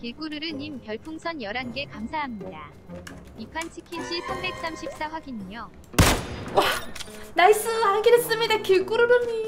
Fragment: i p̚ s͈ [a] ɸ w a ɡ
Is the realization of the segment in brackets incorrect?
no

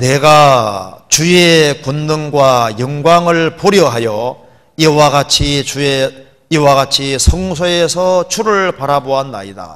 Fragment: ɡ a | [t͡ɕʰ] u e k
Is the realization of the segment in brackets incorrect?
yes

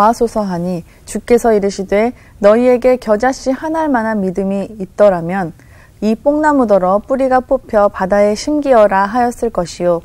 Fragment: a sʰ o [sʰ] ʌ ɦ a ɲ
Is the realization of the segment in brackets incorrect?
no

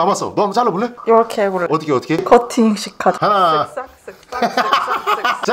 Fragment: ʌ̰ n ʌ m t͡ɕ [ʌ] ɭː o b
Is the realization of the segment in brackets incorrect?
yes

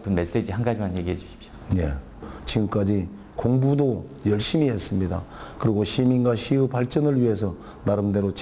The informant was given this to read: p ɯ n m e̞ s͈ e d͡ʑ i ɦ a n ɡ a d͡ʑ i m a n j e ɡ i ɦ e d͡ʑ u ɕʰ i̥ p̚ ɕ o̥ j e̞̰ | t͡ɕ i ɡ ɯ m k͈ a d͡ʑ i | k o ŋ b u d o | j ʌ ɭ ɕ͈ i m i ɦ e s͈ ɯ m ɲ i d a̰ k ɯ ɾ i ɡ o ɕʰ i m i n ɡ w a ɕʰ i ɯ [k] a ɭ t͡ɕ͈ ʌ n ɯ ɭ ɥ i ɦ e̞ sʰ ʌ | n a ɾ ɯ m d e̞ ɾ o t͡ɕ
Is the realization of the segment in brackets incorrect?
yes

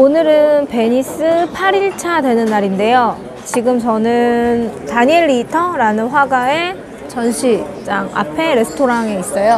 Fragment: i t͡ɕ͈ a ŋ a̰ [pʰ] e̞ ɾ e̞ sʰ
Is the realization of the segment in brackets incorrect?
no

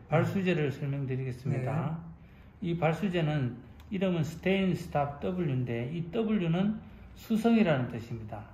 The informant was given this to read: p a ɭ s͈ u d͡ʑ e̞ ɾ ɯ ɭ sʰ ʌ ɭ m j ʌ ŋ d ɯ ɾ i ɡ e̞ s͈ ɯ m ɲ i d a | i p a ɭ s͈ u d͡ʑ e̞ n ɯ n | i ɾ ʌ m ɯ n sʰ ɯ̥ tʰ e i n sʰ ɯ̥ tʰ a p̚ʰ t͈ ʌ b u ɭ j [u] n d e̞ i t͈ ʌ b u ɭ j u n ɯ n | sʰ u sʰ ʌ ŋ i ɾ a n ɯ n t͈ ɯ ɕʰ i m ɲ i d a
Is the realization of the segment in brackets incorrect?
no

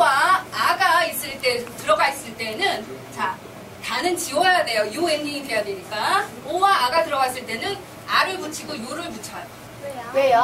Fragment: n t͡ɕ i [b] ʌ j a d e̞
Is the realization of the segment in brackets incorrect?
yes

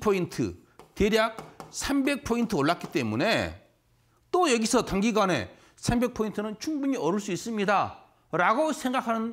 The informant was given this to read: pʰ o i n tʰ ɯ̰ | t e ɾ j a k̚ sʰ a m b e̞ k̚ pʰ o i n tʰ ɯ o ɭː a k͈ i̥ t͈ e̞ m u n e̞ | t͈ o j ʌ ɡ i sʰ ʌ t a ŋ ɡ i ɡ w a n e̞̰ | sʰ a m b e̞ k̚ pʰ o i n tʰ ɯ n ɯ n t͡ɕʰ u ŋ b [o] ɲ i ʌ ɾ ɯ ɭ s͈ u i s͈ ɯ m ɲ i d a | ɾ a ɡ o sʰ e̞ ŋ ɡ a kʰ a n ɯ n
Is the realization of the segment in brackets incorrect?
yes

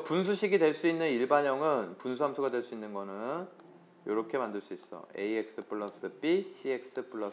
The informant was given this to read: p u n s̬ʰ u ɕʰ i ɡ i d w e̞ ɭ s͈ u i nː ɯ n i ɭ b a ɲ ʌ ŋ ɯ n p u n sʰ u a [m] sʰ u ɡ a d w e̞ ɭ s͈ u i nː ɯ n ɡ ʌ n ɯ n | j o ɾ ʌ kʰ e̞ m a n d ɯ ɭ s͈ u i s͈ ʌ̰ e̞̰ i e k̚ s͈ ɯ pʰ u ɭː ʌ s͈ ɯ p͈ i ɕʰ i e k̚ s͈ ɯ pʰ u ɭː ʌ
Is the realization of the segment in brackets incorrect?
no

